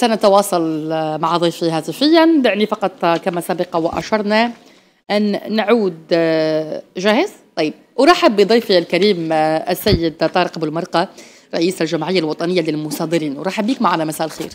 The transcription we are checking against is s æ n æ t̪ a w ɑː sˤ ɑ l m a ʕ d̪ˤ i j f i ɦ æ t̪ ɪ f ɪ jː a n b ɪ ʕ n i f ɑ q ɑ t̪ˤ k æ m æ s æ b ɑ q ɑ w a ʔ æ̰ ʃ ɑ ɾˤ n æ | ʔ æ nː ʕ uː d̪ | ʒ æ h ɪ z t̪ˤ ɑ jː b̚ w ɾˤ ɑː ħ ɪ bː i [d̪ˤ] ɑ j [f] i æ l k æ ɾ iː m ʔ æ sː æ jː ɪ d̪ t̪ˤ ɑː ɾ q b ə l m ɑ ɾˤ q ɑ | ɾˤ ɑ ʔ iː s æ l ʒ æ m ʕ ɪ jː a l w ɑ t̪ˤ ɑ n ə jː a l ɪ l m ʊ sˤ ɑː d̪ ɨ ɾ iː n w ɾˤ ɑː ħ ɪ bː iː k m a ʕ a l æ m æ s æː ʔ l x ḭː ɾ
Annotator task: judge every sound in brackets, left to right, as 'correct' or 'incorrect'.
correct, correct

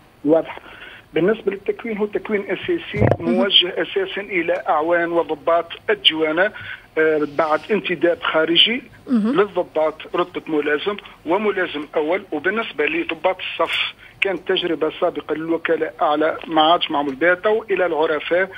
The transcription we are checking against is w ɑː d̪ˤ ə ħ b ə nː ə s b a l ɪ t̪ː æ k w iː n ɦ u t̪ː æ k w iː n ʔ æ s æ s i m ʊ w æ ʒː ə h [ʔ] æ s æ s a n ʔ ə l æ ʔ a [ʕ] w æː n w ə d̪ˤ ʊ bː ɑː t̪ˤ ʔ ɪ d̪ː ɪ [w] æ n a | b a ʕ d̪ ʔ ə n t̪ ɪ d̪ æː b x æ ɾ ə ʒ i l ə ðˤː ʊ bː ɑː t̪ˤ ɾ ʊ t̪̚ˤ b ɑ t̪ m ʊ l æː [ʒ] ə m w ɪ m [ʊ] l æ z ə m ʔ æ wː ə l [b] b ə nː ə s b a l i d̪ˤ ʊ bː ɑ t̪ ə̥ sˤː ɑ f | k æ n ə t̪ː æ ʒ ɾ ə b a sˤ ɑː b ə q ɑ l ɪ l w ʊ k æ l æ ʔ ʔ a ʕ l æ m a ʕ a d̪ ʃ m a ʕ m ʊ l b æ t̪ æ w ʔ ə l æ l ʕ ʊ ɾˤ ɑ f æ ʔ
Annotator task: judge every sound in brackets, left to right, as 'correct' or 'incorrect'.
correct, correct, correct, incorrect: z, correct, incorrect: w

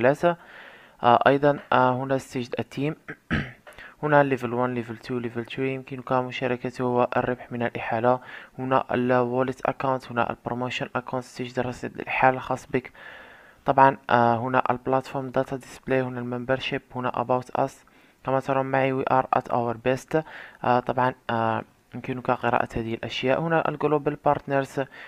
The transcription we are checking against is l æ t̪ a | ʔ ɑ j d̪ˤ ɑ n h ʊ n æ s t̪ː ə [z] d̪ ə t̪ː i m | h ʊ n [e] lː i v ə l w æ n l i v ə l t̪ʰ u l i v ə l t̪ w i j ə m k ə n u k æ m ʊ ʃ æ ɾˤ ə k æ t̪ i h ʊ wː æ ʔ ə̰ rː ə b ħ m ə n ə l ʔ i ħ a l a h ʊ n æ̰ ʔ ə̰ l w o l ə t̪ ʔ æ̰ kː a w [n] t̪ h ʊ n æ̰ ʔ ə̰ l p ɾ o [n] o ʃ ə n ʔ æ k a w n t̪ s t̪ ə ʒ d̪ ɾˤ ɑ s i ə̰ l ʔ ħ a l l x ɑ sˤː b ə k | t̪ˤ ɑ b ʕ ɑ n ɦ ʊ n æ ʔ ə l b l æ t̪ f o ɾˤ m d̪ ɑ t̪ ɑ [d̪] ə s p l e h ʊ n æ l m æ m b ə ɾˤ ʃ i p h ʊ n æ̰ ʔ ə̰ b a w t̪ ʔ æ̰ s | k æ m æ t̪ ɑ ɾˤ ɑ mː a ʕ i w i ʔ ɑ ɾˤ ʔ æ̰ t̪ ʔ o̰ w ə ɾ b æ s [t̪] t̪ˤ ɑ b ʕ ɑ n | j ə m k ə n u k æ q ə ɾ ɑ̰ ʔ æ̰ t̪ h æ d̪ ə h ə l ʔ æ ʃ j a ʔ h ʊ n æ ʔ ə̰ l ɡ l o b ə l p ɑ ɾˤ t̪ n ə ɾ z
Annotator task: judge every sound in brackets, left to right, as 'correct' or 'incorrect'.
incorrect: ʒ, incorrect: æ, correct, incorrect: m, correct, correct

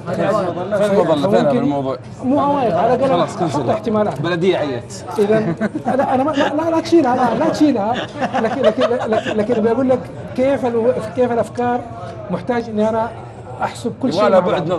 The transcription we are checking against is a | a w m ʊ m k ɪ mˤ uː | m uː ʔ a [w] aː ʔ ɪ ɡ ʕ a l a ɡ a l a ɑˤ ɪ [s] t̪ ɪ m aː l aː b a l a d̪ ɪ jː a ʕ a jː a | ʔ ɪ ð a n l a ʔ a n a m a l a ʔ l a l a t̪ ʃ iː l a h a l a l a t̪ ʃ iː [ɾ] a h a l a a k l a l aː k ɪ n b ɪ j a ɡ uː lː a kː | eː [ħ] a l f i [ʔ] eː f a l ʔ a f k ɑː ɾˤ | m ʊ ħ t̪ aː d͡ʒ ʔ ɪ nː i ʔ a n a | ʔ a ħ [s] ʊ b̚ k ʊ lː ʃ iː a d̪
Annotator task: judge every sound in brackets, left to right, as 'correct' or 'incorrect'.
correct, incorrect: ħ, incorrect: l, incorrect: f, incorrect: k, correct

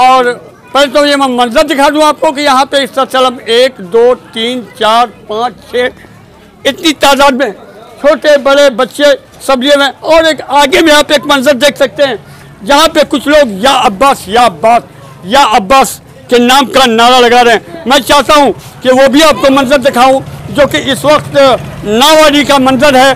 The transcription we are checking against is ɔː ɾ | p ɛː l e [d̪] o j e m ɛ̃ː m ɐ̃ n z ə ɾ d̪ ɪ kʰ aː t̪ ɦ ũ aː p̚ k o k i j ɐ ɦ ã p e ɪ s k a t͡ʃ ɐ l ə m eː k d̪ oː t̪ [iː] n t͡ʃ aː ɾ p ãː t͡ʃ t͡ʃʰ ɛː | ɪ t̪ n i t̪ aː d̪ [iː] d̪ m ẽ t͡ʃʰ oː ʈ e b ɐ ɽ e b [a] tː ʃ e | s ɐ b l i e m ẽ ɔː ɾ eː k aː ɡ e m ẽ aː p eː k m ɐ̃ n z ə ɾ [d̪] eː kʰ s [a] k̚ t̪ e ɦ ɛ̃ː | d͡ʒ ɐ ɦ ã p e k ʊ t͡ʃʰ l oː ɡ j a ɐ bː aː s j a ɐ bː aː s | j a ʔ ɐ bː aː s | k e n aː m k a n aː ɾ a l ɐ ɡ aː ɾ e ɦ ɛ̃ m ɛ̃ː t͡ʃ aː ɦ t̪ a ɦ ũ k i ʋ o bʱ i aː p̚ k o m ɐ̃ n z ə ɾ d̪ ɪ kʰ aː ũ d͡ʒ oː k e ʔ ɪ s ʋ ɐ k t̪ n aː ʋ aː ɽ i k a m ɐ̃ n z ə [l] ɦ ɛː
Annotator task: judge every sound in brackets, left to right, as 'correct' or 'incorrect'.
incorrect: t̪, correct, incorrect: aː, incorrect: ɐ, correct, incorrect: ɐ, incorrect: ɾ

